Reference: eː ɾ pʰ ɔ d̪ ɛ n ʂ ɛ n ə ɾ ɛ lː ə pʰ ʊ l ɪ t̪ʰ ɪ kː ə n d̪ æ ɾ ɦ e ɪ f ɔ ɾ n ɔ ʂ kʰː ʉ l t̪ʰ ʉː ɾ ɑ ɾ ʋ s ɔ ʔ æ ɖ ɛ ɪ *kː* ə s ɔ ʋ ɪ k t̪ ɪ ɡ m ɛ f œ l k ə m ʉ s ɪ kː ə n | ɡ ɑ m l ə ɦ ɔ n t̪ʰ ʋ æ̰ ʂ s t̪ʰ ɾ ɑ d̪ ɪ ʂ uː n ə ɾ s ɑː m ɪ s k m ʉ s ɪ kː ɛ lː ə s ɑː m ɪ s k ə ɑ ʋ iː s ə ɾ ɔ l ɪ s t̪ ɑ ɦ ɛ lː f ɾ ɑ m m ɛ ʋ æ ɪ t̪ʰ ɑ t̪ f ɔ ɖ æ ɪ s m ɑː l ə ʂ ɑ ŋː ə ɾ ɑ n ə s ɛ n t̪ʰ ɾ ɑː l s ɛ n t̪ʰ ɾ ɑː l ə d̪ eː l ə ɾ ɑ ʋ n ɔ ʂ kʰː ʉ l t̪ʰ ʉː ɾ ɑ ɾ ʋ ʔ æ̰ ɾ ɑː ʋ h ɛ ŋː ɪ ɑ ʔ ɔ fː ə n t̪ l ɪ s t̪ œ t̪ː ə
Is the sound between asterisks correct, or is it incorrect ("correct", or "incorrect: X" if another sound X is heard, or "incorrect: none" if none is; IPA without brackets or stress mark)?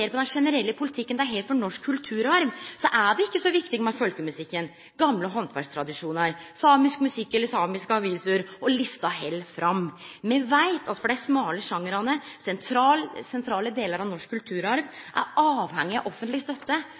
correct